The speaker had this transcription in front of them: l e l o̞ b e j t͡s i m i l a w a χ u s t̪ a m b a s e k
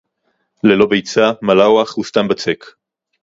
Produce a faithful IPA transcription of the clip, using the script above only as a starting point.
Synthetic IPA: l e l o̞ b e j t͡s a m a l a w a χ u s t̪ a m b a t͡s e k